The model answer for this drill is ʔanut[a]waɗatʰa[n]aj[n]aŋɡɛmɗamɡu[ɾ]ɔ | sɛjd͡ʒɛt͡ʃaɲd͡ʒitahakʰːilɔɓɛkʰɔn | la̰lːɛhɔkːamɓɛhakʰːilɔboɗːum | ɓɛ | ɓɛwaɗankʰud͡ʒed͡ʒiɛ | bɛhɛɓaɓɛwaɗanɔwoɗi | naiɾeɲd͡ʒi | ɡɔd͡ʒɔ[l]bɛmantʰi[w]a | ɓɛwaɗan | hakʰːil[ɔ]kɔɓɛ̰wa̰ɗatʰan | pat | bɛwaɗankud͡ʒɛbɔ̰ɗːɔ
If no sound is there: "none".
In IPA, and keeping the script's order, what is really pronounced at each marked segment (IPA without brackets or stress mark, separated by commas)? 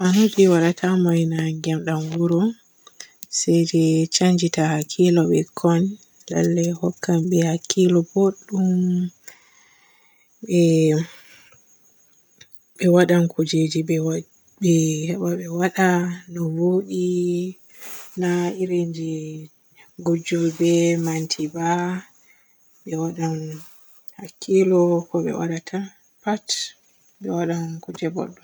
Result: i, m, n, ɾ, l, b, ɔ